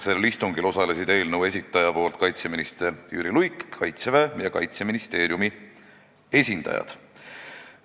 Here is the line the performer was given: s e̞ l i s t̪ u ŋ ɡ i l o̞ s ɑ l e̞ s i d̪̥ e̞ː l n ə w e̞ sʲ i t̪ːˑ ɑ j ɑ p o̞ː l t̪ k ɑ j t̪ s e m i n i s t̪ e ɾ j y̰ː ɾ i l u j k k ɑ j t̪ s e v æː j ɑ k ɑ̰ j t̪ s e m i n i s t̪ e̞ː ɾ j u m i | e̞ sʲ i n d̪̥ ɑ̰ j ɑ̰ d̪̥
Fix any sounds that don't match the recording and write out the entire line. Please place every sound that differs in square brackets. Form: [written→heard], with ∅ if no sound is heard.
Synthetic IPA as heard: s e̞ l i s t̪ u ŋ ɡ i l o̞ s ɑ l e̞ s i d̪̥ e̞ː l n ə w e̞ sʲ i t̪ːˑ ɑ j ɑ p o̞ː l t̪ k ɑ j t̪ s e m i n i s t̪ e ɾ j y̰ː ɾ i l u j k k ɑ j t̪ s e v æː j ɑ k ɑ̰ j t̪ s e m i n i s t̪ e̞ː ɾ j u m i | e̞ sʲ i n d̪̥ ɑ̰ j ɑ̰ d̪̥